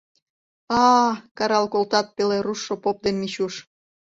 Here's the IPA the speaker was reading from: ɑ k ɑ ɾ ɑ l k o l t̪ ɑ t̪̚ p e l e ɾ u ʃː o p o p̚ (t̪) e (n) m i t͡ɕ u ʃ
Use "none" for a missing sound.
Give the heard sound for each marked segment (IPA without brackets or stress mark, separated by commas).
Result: d̪, n